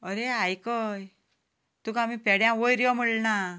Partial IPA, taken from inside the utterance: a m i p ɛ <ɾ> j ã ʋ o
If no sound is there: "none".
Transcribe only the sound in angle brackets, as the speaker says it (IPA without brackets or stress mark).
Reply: ɽ